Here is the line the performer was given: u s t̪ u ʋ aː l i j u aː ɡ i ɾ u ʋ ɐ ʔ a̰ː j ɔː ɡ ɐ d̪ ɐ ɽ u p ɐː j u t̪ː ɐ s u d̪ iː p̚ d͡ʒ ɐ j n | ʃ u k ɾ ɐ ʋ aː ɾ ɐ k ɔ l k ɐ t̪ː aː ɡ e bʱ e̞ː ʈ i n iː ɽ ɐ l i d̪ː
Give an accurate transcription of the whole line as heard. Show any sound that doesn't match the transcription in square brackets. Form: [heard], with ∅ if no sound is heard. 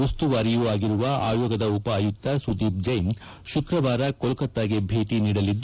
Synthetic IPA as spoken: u s t̪ u ʋ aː [ɾ] i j u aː ɡ i ɾ u ʋ ɐ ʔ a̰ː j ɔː ɡ ɐ d̪ ɐ [∅] u p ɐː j u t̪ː ɐ s u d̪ iː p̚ d͡ʒ ɐ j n | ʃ u k ɾ ɐ ʋ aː ɾ ɐ k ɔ l k ɐ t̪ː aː ɡ e bʱ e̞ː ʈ i n iː ɽ ɐ l i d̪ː